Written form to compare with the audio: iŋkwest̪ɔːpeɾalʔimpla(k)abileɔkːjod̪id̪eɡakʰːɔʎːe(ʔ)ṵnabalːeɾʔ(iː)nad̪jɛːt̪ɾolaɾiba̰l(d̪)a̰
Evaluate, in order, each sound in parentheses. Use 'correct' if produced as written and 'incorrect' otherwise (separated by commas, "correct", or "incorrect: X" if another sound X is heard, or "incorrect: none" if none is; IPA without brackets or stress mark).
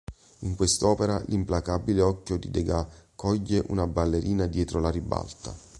correct, correct, correct, incorrect: t̪